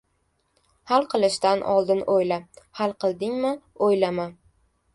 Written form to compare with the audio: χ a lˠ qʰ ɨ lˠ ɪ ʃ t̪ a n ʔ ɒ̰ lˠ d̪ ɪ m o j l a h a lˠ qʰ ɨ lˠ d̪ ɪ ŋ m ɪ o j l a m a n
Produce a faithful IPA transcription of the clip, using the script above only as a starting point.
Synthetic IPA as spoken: h a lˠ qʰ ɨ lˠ ɪ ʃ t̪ a n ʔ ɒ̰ lˠ d̪ ɪ n o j l a h a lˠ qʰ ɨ lˠ d̪ ɪ ŋ m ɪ o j l a m a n